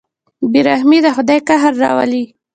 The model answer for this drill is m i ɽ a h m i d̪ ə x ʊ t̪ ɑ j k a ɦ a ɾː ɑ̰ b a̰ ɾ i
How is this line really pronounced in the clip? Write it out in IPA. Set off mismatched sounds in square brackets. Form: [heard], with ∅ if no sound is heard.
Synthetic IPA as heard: [b] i [ɾ] a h m i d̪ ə x ʊ [d̪] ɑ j k a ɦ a ɾː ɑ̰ [w] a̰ [l] i